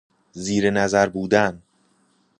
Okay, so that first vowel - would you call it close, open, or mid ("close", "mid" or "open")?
close